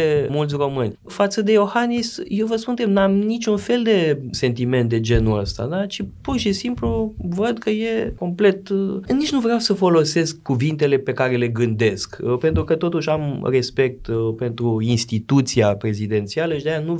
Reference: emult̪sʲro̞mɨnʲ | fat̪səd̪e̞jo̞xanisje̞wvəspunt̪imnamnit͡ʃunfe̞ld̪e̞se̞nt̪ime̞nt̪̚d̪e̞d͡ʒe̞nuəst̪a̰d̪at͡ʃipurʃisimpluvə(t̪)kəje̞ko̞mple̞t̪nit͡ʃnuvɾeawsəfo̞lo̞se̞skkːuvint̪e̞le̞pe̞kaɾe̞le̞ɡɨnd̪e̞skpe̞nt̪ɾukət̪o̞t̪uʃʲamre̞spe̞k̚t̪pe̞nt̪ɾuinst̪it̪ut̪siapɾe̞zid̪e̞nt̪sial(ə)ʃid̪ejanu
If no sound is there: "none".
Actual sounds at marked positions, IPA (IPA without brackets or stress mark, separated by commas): d̪, ə